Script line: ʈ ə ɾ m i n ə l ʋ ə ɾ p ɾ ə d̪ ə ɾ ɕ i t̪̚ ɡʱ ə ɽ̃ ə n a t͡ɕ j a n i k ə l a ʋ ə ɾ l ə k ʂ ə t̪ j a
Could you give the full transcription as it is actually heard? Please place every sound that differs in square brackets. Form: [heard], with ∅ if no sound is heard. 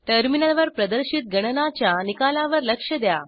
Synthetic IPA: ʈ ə ɾ m i n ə l ʋ ə ɾ p ɾ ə d̪ ə ɾ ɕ i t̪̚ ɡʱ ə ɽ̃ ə n a t͡ɕ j a n i k [a] l a ʋ ə ɾ l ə k ʂ ə [d̪] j a